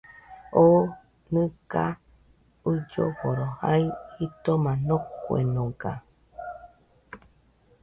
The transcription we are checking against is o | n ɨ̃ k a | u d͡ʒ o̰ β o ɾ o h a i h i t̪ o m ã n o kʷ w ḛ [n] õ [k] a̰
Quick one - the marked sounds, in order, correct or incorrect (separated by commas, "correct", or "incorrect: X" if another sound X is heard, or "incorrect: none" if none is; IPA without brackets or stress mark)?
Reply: correct, incorrect: ɡ